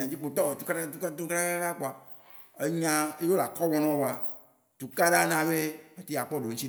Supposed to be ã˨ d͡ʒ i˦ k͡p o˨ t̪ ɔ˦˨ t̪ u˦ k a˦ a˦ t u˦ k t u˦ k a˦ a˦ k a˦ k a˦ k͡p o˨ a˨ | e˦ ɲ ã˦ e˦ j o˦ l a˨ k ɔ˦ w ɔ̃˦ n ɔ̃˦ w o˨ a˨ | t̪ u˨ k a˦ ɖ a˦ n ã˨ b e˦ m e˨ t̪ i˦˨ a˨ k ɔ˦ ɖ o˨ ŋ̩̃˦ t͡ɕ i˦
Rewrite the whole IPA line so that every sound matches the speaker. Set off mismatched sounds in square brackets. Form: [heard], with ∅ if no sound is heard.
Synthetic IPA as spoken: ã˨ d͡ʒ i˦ k͡p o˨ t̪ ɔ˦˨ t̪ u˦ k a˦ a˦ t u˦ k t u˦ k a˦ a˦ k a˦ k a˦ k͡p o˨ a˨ | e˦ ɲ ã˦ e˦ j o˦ l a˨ k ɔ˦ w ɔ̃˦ n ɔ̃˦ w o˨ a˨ | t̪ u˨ k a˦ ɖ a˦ n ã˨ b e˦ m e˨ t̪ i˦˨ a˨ [k͡p] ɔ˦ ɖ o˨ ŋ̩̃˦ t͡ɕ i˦